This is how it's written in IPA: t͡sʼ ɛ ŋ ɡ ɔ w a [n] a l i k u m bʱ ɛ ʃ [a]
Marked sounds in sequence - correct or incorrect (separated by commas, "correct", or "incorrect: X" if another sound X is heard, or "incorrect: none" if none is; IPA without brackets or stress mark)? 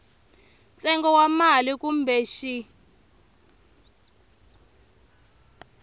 incorrect: m, incorrect: i